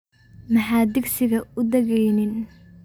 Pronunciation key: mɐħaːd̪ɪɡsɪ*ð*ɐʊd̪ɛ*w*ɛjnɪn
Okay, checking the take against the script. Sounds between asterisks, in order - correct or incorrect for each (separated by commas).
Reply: incorrect, incorrect